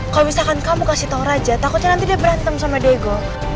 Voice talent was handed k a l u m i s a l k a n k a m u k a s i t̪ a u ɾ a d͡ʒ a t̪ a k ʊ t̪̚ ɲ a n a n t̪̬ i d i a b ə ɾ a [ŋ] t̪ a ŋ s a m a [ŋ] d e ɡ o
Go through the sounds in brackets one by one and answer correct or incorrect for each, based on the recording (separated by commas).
incorrect, incorrect